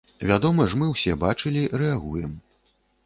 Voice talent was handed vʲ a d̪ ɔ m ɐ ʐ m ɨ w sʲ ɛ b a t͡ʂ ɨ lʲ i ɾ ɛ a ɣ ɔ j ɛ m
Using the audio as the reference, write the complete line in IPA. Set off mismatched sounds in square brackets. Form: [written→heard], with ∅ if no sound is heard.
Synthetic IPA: vʲ a d̪ ɔ m ɐ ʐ m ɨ w sʲ ɛ b a t͡ʂ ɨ lʲ i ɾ ɛ a ɣ [ɔ→u] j ɛ m